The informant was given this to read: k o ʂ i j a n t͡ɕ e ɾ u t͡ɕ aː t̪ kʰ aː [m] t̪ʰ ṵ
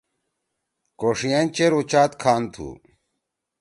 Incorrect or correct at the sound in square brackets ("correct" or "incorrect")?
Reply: incorrect